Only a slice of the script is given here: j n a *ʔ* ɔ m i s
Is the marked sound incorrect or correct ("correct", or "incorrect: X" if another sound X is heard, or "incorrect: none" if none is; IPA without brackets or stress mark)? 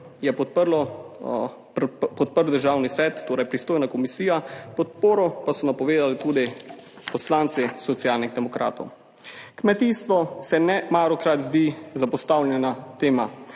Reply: incorrect: k